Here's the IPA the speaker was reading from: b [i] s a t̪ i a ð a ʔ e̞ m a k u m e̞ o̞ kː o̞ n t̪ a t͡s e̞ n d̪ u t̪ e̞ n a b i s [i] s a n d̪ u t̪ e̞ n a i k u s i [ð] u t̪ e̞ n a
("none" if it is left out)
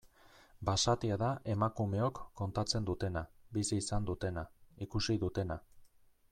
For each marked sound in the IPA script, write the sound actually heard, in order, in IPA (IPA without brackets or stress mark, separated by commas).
a, iː, ð